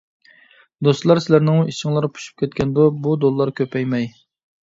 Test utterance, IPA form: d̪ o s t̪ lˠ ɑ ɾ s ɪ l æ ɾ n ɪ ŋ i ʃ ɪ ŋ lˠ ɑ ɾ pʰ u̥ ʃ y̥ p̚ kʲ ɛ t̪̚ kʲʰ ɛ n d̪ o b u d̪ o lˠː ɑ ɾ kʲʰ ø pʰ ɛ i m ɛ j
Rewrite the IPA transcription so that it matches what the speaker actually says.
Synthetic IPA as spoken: d̪ o s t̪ lˠ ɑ ɾ s ɪ l æ ɾ n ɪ ŋ i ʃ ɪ ŋ lˠ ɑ ɾ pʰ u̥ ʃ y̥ p̚ kʲ ɛ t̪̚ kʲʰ ɛ n d̪ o b u d̪ o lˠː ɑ ɾ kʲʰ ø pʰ ɛ j m ɛ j